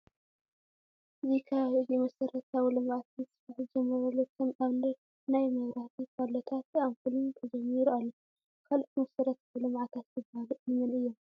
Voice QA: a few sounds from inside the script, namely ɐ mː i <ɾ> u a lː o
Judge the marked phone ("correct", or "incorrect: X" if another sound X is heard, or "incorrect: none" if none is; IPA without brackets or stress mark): correct